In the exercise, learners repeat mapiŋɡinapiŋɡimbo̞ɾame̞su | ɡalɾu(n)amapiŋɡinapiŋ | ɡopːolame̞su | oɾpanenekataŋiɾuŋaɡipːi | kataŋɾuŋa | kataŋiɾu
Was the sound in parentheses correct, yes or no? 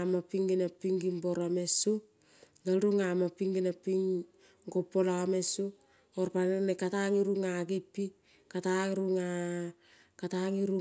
no